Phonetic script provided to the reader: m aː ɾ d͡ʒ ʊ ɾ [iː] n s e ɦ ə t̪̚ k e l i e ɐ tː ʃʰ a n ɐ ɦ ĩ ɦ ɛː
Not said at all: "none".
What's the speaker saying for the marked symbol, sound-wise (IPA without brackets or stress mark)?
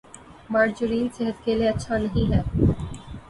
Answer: iː